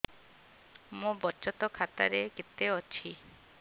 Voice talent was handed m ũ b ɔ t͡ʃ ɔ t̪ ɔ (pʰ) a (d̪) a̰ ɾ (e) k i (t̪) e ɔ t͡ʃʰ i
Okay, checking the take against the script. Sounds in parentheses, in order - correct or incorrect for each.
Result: incorrect: kʰ, incorrect: t̪, correct, correct

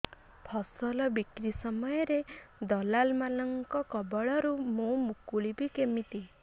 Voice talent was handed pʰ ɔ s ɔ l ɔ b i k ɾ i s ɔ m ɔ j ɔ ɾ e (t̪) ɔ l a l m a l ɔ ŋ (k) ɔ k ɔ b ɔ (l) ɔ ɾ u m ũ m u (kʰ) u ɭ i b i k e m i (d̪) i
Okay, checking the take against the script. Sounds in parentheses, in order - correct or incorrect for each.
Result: incorrect: d̪, correct, incorrect: ɭ, incorrect: k, incorrect: t̪

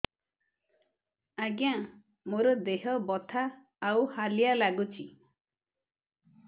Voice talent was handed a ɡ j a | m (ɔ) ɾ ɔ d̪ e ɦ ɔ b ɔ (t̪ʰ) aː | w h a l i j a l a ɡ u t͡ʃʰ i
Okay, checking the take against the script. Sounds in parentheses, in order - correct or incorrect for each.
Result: incorrect: o, correct

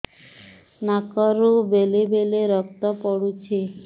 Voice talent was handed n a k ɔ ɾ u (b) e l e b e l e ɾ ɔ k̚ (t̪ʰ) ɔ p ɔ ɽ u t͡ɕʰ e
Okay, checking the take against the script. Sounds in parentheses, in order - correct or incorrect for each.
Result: correct, incorrect: t̪

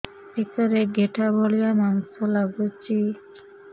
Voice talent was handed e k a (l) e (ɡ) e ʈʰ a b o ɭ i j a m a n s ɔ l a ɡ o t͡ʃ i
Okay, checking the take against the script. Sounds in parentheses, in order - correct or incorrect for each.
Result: incorrect: ɾ, correct

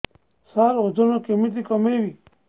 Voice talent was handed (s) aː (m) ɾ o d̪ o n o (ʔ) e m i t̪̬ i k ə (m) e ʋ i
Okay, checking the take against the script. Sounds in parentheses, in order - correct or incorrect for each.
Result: correct, incorrect: none, incorrect: k, correct

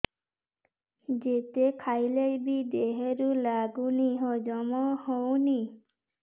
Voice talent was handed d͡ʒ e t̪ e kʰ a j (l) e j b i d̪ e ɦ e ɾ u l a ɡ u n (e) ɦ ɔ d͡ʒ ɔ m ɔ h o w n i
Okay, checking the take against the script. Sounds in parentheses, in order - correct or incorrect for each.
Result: correct, incorrect: i

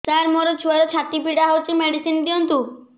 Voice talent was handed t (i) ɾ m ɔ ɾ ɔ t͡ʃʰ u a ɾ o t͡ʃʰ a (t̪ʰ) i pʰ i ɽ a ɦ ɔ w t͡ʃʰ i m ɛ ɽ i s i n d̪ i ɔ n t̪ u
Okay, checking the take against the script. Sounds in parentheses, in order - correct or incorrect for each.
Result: incorrect: a, incorrect: t̪

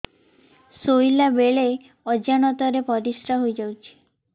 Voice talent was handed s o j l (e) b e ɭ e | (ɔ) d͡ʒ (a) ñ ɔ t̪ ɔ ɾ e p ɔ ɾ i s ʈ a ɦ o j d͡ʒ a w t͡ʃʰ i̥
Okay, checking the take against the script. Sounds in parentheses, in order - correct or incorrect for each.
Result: incorrect: a, correct, correct

